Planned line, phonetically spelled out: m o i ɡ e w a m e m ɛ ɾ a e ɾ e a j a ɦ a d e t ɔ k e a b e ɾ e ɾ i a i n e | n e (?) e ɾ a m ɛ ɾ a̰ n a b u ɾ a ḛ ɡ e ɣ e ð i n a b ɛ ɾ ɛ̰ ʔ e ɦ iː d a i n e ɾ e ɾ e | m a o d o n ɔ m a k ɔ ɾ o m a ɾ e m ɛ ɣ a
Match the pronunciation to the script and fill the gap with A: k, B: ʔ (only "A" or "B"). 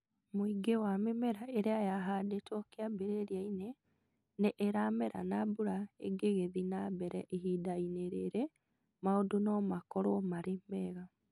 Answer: B